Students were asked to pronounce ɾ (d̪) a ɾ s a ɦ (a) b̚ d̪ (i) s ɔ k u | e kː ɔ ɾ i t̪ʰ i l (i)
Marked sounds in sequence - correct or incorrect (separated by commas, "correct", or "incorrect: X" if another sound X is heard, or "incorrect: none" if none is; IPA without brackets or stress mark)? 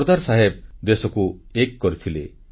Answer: correct, incorrect: e, incorrect: e, incorrect: e